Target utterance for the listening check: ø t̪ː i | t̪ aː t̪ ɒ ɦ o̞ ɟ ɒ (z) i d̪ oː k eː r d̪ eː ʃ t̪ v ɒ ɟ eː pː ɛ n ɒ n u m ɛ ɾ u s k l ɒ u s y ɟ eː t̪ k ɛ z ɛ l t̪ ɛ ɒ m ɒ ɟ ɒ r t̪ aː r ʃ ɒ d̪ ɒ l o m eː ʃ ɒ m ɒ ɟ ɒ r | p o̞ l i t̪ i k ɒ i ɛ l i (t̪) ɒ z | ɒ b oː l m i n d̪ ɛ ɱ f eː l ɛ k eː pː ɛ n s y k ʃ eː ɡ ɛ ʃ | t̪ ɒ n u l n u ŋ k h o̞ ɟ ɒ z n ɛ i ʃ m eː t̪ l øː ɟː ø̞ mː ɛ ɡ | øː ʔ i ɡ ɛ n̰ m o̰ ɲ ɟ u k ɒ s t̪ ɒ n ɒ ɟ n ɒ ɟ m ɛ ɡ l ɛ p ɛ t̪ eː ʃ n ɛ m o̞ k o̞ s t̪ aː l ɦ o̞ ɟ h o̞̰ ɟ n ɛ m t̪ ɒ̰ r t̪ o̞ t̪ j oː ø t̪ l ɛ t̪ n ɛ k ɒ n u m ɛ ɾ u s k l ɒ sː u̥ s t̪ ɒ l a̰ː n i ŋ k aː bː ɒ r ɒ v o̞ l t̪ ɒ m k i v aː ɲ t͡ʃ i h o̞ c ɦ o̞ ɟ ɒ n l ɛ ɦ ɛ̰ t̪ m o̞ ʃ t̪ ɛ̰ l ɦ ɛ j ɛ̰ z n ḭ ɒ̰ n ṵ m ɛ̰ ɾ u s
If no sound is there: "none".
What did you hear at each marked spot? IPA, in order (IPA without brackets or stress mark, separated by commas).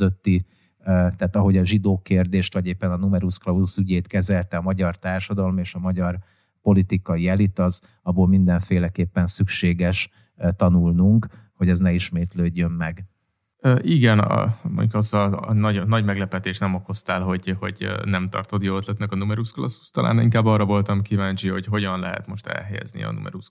ʒ, t̪